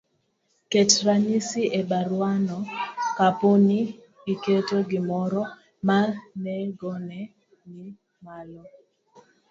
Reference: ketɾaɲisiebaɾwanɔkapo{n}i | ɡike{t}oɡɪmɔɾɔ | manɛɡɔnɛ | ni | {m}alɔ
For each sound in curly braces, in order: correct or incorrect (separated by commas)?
correct, correct, correct